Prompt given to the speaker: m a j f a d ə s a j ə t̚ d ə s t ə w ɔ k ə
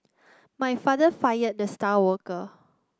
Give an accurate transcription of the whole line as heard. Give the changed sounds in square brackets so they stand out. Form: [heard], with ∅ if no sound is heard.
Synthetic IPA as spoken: m a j f a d ə [f] a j ə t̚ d ə s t [a] w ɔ k ə